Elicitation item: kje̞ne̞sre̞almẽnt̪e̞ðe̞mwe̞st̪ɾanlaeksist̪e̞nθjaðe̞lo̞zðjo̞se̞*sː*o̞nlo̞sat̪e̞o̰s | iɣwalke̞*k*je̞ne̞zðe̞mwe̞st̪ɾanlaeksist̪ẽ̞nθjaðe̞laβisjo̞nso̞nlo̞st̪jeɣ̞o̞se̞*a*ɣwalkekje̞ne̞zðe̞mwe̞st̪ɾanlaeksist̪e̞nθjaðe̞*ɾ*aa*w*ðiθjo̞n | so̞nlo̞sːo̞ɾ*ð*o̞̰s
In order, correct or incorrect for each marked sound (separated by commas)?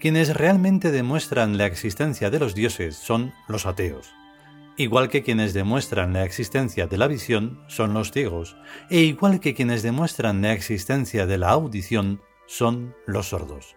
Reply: correct, correct, incorrect, incorrect, correct, correct